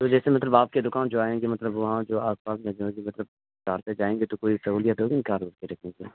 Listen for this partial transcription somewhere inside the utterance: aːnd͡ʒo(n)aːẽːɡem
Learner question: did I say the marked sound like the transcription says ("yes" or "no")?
no